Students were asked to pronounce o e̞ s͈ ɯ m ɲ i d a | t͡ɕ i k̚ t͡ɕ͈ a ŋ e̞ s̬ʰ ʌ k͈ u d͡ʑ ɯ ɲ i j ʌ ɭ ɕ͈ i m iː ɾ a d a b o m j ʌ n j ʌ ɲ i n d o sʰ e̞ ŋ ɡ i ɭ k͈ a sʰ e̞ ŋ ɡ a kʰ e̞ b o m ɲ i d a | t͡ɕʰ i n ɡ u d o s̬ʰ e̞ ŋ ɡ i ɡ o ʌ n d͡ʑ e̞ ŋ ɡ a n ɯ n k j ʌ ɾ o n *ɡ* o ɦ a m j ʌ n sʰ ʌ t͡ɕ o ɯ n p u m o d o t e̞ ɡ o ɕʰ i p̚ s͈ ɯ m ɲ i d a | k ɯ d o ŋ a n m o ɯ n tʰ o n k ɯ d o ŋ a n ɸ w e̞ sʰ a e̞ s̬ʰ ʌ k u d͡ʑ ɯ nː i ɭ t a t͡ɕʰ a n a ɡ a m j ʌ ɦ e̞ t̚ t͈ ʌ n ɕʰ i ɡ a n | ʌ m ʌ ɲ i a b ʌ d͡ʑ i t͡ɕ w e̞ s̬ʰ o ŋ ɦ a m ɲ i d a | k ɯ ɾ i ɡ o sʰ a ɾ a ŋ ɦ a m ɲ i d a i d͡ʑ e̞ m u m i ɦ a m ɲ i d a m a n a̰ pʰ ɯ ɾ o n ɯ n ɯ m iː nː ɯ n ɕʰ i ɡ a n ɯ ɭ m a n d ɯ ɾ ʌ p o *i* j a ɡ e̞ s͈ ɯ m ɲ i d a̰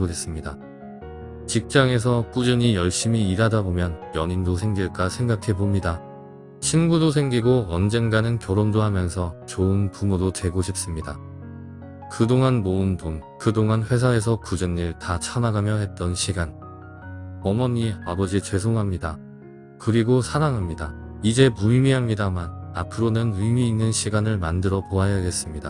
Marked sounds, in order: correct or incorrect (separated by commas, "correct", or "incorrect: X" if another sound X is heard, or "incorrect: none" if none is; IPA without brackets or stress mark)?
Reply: incorrect: d, incorrect: a